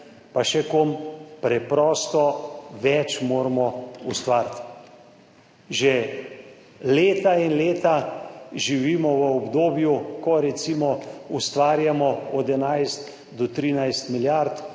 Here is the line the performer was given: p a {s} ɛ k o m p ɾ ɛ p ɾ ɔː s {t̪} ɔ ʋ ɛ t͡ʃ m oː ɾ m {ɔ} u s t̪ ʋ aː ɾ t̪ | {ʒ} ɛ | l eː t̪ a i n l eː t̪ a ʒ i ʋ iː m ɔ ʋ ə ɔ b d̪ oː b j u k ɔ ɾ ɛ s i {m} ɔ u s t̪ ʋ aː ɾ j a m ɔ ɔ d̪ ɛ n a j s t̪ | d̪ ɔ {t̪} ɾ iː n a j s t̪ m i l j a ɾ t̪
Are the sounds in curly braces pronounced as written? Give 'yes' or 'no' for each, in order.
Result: no, yes, yes, yes, yes, yes

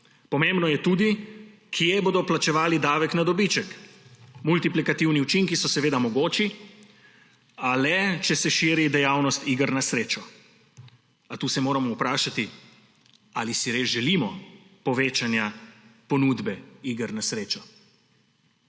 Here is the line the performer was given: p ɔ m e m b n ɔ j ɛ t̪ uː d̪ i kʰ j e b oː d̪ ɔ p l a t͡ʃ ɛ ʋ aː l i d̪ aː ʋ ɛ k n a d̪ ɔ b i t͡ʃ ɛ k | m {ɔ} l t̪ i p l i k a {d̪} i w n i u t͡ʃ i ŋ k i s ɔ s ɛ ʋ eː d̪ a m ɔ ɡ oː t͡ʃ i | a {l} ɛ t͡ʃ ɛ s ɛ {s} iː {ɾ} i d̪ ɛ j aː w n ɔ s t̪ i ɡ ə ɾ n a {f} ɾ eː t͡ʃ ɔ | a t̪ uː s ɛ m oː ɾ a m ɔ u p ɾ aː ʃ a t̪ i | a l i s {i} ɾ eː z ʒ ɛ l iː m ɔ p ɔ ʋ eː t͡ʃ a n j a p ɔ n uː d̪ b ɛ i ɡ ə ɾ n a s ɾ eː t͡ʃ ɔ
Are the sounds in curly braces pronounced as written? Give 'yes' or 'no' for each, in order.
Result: no, no, yes, no, yes, no, yes

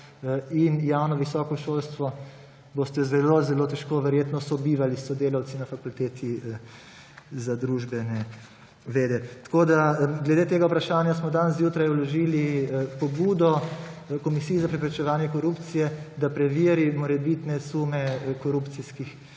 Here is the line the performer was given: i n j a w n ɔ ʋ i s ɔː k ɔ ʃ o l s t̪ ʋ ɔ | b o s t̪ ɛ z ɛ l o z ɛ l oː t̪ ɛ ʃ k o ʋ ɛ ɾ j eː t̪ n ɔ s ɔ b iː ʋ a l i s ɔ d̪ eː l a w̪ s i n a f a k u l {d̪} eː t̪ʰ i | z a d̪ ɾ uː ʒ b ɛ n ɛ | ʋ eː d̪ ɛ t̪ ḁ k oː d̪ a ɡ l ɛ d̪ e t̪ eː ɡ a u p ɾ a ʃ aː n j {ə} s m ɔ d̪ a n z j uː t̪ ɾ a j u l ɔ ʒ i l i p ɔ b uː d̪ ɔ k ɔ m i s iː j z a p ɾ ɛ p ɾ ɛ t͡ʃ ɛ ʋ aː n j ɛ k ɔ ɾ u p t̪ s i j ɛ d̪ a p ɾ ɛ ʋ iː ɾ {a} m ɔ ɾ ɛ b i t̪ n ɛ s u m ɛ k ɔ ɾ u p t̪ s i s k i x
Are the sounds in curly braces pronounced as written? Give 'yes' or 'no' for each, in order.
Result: no, no, no

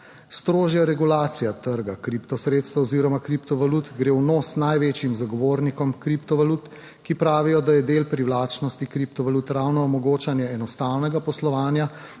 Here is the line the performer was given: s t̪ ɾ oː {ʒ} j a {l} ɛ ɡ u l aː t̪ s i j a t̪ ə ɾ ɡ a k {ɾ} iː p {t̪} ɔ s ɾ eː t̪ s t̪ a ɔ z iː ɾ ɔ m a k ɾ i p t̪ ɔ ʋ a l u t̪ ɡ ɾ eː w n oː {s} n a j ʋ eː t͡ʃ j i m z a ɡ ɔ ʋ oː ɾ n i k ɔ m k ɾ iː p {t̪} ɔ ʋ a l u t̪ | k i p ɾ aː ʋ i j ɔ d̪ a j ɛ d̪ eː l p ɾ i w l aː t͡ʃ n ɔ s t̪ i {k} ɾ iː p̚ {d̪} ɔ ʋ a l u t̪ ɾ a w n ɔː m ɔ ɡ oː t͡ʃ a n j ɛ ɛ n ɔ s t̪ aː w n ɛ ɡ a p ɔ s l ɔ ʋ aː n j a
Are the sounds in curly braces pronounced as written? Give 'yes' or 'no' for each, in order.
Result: yes, no, yes, yes, yes, yes, yes, no

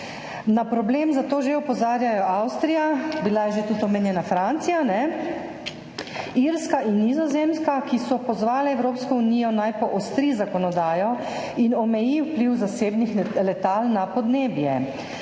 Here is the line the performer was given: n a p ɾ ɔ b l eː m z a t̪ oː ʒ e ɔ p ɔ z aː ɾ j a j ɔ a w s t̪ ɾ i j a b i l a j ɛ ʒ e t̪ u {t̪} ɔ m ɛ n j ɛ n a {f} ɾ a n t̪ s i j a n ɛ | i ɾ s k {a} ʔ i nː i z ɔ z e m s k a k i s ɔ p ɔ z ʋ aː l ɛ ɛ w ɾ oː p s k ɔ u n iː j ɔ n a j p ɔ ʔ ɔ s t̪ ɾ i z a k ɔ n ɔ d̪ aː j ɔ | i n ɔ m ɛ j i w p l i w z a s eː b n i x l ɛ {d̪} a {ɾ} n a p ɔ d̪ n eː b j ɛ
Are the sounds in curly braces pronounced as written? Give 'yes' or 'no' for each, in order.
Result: yes, yes, yes, no, no

